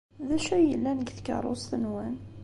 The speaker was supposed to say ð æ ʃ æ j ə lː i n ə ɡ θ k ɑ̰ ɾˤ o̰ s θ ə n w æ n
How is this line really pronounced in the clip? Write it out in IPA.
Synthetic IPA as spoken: ð æ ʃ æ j ə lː æ n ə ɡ θ k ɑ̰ ɾˤ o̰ s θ ə n w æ n

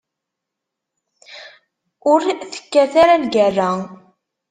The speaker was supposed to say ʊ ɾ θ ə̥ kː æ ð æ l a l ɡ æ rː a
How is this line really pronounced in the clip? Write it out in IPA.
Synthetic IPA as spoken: ʊ ɾ θ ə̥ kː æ θ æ ɾ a l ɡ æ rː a

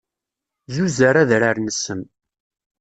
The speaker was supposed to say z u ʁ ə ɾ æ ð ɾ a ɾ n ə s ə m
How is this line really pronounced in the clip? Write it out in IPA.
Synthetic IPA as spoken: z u z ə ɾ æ ð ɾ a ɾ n ə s ə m

